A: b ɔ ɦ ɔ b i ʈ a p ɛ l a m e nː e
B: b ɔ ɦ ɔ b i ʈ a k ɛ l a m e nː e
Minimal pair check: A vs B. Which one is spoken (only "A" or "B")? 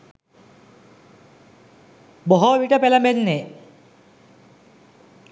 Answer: A